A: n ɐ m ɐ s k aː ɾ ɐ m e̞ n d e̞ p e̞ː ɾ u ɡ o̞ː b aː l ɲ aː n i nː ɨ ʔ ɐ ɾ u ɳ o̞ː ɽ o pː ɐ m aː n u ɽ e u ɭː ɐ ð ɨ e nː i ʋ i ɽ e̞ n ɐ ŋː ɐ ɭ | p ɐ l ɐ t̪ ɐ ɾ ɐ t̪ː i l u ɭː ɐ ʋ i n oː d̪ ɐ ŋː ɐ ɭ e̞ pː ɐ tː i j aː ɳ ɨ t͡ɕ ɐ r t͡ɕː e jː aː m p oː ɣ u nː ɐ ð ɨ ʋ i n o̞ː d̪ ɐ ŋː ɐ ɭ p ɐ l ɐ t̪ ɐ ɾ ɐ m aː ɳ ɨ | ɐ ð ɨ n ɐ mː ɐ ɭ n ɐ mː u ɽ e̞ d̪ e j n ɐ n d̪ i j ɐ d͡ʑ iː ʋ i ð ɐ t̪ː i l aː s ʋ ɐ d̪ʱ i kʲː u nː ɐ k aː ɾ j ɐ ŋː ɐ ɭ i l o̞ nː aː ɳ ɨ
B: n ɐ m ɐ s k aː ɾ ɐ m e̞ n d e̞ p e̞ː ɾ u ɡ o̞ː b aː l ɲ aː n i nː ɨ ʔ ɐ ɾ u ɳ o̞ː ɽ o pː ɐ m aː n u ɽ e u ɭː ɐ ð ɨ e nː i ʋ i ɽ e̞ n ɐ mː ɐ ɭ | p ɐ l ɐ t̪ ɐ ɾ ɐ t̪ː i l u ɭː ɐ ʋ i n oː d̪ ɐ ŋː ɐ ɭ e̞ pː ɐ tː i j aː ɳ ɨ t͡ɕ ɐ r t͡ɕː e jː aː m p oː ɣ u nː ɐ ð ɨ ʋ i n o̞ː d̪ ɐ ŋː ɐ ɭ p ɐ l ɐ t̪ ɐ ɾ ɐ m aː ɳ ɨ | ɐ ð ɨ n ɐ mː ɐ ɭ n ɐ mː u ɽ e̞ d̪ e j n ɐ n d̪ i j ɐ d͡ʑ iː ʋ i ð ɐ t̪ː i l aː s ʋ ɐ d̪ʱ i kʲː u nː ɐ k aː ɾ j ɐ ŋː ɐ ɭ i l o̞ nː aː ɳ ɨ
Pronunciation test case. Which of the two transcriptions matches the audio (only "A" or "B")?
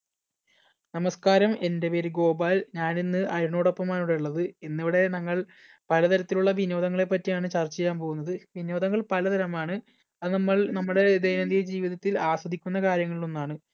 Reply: A